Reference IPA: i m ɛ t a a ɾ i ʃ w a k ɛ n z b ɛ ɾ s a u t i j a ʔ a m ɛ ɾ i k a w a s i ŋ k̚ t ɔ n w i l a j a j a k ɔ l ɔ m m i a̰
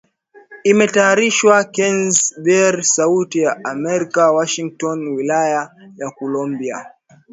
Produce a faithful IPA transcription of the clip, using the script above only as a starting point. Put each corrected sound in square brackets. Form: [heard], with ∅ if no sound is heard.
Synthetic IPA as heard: i m ɛ t a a ɾ i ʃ w a k ɛ n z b ɛ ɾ s a u t i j a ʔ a m ɛ ɾ i k a w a [ʃ] i ŋ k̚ t ɔ n w i l a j a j a k ɔ l ɔ m [b] i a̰